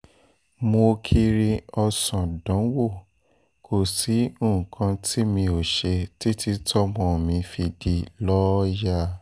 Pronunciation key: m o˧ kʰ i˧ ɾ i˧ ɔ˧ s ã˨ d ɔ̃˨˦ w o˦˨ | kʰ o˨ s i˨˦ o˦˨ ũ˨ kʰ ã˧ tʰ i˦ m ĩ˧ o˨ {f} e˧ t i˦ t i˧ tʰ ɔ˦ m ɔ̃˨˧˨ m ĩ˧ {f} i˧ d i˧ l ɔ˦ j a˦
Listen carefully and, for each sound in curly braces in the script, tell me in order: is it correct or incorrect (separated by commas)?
incorrect, correct